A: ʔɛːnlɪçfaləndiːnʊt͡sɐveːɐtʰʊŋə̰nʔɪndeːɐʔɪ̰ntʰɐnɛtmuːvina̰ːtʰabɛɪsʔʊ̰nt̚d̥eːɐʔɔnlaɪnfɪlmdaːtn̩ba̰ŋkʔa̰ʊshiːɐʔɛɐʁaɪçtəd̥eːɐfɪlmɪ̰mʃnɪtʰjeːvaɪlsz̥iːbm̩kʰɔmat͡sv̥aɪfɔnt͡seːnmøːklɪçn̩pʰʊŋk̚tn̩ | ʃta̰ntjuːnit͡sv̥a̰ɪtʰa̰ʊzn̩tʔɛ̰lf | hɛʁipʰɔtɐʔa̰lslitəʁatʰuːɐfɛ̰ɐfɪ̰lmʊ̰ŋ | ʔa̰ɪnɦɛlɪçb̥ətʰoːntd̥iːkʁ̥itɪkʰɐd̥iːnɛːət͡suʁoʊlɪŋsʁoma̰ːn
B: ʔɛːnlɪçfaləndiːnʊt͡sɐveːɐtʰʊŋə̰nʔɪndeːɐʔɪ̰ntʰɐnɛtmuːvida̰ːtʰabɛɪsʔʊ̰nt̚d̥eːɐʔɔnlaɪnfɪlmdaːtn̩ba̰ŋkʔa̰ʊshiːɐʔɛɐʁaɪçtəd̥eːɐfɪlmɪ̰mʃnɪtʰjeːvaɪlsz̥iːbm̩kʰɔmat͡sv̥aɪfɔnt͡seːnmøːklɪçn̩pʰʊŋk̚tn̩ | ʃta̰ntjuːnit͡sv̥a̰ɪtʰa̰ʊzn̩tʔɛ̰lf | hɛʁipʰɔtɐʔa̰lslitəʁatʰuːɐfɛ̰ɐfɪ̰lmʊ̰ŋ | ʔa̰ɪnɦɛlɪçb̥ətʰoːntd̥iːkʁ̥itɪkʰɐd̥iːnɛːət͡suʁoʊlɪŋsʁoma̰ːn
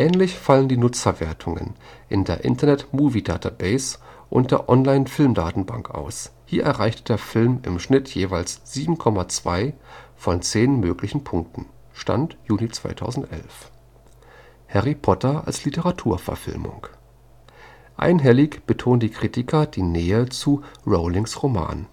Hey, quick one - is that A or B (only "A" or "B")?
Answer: B